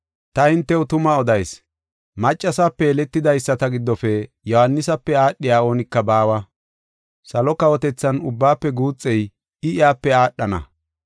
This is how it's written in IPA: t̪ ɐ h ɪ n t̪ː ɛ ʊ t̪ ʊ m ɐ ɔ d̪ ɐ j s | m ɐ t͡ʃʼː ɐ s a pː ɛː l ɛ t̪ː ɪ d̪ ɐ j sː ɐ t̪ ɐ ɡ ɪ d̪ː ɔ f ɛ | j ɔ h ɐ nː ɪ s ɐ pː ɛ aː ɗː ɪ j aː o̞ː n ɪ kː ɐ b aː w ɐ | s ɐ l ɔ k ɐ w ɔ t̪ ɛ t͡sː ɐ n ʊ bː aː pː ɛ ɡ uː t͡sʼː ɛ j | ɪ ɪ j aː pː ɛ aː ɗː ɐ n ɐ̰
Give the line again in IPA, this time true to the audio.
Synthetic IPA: t̪ ɐ h ɪ n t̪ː ɛ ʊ t̪ ʊ m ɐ ɔ d̪ ɐ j s | m ɐ t͡ʃʼː ɐ s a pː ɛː l ɛ t̪ː ɪ d̪ ɐ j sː ɐ t̪ ɐ ɡ ɪ d̪ː ɔ f ɛ | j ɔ h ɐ nː ɪ s ɐ pː ɛ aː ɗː ɪ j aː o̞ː n ɪ kː ɐ b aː w ɐ | s ɐ l ɔ k ɐ w ɔ t̪ ɛ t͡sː ɐ n ʊ bː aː pː ɛ ɡ uː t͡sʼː ɛ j | ɪ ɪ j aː pː ɛ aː ɗː ɐ n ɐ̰